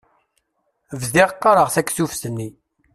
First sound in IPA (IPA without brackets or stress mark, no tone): v